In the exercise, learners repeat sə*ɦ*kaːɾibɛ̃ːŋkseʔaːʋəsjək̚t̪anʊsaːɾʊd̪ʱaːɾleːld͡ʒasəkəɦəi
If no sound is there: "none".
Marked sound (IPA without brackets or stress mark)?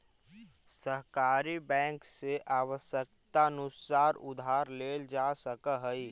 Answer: ɦ